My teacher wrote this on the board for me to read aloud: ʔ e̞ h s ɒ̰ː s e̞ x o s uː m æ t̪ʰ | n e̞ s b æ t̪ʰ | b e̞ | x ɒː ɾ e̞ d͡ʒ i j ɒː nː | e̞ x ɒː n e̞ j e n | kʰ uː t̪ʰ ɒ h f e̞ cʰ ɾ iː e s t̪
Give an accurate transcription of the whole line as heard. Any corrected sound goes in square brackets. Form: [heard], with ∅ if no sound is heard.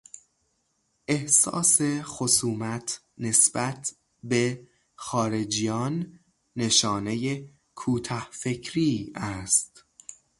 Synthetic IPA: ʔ e̞ h s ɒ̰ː s e̞ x o s uː m æ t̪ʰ | n e̞ s b æ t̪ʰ | b e̞ | x ɒː ɾ e̞ d͡ʒ i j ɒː nː | e̞ [ʃ] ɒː n e̞ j e [∅] | kʰ uː t̪ʰ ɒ h f e̞ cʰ ɾ iː [æ] s t̪